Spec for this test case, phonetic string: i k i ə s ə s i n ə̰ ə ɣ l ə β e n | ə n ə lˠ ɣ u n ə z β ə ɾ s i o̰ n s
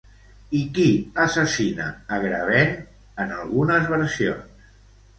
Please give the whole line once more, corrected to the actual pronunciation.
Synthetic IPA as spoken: i k i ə s ə s i n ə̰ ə ɣ ɾ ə β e n | ə n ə lˠ ɣ u n ə z β ə ɾ s i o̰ n s